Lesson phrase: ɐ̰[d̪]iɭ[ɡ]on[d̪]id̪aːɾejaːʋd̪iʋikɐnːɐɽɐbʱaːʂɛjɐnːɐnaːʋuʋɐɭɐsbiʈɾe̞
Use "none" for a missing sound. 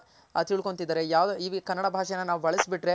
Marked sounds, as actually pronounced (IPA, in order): t̪, k, t̪

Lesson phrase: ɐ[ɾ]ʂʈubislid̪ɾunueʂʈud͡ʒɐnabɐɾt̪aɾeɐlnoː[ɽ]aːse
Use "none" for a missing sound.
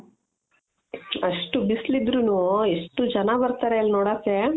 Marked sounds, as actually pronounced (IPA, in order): none, ɽ

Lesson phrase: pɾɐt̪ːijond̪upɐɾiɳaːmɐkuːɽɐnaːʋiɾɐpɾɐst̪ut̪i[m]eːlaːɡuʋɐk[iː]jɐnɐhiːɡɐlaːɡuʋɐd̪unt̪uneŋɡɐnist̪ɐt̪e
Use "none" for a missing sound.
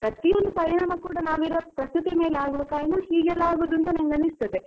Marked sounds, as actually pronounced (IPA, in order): m, aː

